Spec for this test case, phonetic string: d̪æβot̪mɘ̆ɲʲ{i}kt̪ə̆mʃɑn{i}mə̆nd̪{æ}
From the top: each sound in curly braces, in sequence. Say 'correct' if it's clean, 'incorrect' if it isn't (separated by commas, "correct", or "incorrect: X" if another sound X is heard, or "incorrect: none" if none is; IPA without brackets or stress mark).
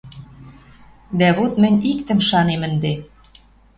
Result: correct, incorrect: e, incorrect: e